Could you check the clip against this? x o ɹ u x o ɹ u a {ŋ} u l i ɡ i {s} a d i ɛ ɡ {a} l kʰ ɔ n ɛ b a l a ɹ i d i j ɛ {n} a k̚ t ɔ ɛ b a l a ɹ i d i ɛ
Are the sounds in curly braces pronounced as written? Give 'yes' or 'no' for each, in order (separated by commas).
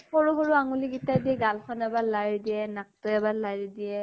yes, no, yes, yes